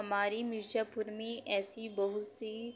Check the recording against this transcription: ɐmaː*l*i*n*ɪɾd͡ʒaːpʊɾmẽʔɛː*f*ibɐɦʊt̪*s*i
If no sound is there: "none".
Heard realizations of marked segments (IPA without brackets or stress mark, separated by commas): ɾ, m, s, s